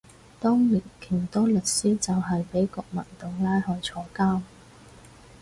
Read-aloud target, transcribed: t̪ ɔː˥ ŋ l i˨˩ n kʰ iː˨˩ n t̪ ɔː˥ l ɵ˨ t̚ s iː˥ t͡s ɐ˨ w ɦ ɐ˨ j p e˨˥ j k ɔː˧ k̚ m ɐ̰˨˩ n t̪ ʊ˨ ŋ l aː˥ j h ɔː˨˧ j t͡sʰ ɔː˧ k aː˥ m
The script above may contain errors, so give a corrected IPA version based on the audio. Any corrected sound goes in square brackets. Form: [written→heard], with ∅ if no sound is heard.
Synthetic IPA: t̪ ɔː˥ ŋ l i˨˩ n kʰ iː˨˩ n t̪ ɔː˥ l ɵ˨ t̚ s iː˥ t͡s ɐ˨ w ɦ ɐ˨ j p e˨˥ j k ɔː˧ k̚ m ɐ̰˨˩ n t̪ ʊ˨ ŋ l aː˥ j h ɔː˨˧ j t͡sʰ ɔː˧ k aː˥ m